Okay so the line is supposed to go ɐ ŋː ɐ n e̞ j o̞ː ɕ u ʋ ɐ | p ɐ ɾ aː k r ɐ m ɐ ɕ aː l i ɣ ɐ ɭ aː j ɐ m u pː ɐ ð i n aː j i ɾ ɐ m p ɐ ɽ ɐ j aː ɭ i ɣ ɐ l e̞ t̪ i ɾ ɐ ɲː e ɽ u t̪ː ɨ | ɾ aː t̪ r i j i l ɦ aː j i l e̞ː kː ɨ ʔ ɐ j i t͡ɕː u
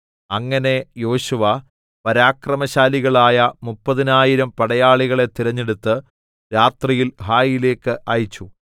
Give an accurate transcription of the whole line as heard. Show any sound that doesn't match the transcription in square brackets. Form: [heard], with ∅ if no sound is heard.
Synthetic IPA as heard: ɐ ŋː ɐ n e̞ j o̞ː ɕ u ʋ ɐ | p ɐ ɾ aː k r ɐ m ɐ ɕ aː l i ɣ ɐ ɭ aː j ɐ m u pː ɐ ð i n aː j i ɾ ɐ m p ɐ ɽ ɐ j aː ɭ i ɣ ɐ [ɭ] e̞ t̪ i ɾ ɐ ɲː e ɽ u t̪ː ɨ | ɾ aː t̪ r i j i l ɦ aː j i l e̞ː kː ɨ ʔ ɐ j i t͡ɕː u